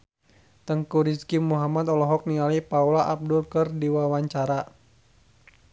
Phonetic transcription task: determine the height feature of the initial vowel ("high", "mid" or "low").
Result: mid